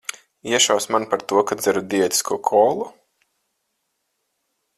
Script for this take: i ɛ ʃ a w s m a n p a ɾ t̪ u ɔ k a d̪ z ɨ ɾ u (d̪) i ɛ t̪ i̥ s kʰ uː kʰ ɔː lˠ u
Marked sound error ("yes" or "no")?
no